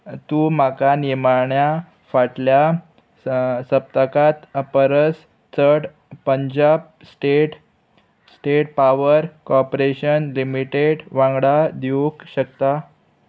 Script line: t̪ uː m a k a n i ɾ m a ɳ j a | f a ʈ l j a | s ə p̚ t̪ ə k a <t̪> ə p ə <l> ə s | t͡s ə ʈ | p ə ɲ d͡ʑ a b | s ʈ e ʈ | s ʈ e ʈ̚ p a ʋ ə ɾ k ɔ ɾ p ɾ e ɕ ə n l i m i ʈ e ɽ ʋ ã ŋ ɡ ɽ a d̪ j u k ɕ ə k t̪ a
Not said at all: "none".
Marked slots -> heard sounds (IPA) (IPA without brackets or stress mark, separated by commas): t̪, ɾ